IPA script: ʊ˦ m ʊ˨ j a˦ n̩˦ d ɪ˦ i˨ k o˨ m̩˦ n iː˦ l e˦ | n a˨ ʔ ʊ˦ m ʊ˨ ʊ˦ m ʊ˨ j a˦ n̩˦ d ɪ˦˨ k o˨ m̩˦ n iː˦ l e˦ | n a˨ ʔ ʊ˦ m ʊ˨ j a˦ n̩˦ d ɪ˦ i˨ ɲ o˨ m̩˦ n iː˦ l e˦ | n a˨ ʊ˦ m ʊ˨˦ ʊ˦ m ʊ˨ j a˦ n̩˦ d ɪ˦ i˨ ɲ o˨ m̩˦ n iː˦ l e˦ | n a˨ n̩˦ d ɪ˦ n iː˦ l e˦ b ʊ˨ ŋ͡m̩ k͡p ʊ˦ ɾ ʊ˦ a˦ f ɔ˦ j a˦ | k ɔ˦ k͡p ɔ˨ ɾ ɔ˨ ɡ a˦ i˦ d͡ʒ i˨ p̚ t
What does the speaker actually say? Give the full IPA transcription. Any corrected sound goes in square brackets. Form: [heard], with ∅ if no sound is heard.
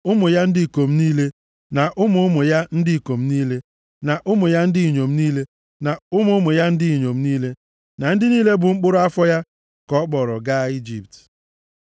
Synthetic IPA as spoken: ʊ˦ m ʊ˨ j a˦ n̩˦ d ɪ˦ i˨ k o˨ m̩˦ n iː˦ l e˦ | n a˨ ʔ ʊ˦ m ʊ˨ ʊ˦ m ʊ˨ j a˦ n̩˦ d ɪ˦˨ k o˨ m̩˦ n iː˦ l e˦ | n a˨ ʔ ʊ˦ m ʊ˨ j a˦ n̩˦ d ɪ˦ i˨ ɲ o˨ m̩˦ n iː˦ l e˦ | n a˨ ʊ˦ m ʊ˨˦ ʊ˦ m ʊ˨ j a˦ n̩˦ d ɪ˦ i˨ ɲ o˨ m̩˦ n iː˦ l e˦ | n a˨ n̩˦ d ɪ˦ n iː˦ l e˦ b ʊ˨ ŋ͡m̩ k͡p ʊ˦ ɾ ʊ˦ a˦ f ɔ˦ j a˦ | k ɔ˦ k͡p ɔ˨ ɾ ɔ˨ ɡ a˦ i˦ d͡ʒ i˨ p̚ t